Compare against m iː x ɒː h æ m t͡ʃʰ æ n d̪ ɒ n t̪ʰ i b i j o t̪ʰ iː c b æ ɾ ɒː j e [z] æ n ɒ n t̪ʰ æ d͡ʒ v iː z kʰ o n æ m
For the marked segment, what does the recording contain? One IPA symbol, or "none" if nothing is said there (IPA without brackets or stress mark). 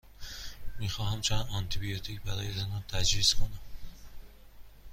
z